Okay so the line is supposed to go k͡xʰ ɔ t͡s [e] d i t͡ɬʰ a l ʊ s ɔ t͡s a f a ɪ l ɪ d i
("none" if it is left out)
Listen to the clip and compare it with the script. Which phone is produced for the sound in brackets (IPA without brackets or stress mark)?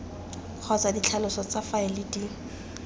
a